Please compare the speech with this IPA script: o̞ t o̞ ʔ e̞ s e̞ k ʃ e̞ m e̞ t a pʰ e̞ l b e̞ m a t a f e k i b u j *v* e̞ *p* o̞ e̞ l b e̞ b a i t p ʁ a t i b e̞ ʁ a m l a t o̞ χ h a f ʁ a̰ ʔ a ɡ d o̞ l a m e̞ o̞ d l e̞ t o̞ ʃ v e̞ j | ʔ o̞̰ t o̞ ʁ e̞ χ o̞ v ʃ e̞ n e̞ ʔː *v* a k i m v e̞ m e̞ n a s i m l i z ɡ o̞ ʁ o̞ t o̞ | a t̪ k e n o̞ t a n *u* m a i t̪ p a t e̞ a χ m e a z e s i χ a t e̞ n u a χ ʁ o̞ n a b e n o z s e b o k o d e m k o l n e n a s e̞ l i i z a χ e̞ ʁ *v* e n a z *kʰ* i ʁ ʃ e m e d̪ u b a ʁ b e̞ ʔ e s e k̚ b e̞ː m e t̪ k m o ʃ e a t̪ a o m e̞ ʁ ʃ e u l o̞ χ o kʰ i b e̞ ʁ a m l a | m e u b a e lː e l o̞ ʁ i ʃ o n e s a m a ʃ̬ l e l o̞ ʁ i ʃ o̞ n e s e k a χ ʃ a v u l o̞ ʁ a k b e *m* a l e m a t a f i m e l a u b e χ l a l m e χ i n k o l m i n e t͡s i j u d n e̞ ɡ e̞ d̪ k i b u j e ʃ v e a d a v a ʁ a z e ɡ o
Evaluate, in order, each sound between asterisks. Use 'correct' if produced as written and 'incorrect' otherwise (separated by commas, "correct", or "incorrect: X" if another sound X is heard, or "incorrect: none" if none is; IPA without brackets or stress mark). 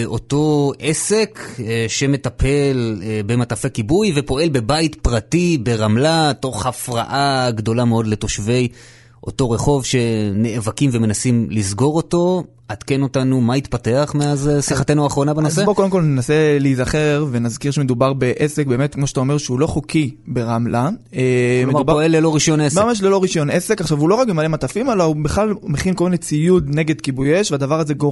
correct, correct, correct, correct, correct, incorrect: k, correct